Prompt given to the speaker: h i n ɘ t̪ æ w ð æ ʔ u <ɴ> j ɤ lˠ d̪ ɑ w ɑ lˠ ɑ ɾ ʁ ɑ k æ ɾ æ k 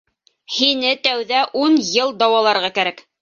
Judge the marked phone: incorrect: n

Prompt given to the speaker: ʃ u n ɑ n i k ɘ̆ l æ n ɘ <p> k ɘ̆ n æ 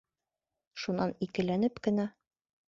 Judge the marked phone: correct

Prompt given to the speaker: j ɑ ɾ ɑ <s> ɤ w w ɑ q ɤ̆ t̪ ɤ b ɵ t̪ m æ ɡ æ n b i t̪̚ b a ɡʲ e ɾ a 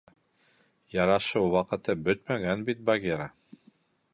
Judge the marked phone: incorrect: ʃ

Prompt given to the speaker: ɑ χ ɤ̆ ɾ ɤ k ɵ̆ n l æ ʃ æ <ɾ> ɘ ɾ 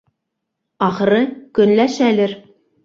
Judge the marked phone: incorrect: l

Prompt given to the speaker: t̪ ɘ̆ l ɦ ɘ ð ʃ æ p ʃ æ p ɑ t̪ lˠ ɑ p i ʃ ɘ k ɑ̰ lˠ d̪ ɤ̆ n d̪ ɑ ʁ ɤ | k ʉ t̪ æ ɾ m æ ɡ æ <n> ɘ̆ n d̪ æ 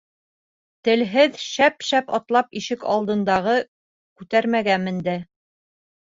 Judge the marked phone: incorrect: m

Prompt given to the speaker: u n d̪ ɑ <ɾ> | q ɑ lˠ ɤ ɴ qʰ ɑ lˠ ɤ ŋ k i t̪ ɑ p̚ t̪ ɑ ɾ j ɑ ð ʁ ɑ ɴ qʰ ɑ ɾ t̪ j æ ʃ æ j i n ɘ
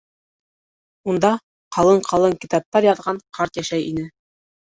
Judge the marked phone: incorrect: none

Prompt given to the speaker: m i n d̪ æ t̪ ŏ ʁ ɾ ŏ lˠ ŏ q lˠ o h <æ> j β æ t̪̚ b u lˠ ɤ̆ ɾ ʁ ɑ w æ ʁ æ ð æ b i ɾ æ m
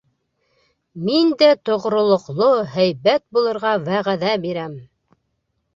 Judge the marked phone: correct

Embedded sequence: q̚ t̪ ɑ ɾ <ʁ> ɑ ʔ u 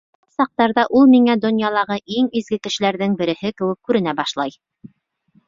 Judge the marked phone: incorrect: ð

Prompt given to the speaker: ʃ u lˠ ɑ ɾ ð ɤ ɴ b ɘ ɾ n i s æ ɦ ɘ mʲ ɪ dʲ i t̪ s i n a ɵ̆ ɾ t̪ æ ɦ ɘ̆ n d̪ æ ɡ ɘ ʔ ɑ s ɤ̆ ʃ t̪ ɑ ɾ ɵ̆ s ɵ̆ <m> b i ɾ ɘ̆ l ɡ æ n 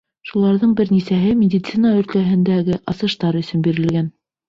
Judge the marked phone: incorrect: n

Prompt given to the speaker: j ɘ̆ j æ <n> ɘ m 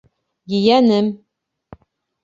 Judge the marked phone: correct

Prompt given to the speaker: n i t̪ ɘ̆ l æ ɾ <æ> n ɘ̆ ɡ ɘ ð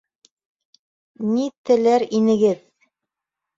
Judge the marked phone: incorrect: i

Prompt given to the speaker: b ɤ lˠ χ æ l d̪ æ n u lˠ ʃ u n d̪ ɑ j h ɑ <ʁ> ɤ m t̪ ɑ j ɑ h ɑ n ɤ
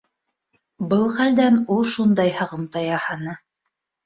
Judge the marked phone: correct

